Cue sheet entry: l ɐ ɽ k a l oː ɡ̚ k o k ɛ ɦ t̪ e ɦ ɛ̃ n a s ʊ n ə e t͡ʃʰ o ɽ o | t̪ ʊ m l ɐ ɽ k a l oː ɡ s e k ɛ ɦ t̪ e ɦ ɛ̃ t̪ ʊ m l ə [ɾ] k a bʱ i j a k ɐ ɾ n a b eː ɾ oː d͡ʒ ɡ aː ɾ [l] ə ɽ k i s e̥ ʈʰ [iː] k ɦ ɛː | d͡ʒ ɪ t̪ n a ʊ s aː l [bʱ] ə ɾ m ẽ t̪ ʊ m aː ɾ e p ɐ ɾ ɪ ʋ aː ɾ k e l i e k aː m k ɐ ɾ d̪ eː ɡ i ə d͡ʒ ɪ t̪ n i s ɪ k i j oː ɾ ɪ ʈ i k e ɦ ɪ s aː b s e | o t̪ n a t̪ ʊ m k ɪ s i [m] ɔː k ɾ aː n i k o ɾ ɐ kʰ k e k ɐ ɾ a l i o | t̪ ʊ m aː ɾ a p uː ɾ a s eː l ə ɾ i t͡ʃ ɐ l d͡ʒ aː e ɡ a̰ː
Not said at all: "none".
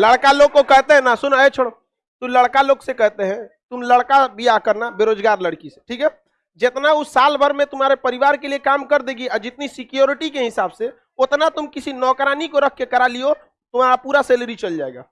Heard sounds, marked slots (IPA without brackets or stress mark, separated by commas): ɽ, l, iː, bʱ, n